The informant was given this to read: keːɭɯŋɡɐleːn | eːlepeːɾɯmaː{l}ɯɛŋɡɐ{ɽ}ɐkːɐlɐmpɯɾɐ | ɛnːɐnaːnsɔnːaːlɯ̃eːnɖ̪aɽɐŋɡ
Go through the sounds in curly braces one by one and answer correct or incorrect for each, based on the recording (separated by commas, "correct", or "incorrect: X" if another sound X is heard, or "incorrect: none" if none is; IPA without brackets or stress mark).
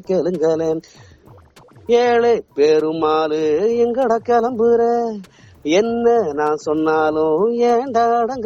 correct, correct